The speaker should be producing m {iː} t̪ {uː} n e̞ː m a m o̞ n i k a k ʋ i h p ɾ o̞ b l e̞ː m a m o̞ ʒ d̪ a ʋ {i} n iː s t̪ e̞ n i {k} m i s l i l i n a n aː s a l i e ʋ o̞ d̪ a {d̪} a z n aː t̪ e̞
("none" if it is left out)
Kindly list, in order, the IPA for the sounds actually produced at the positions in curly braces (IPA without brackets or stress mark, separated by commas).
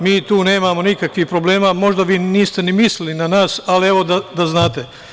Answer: iː, uː, iː, none, d̪